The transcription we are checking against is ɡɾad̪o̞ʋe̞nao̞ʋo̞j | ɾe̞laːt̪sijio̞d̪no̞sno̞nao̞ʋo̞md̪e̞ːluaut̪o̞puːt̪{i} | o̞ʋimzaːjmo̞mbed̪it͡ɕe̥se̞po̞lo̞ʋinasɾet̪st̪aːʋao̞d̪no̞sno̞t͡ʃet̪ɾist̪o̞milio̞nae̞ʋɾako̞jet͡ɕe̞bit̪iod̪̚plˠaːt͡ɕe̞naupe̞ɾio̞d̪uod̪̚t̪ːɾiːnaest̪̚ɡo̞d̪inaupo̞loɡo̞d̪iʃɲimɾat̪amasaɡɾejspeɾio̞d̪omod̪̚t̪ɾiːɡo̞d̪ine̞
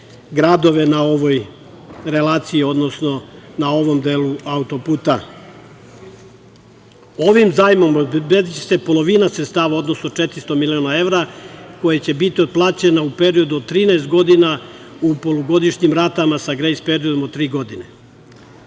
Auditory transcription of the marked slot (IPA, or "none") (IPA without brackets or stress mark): a